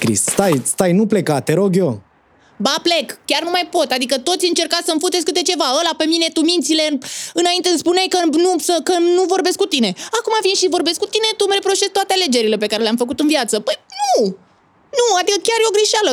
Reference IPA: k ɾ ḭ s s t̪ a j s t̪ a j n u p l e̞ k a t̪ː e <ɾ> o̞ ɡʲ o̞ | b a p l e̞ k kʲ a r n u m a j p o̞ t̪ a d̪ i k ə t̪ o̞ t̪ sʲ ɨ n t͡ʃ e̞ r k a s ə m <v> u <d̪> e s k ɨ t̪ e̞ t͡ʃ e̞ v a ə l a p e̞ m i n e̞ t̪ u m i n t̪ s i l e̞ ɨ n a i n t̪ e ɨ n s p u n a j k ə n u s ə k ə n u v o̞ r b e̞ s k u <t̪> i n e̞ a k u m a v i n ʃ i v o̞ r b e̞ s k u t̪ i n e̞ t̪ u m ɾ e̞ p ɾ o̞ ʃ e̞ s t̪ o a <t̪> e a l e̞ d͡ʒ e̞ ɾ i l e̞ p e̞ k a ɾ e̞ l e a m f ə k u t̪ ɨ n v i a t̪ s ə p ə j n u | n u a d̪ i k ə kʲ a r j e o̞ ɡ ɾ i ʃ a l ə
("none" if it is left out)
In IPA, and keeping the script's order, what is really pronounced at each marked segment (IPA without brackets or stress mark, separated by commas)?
ɾ, f, t̪, t̪, t̪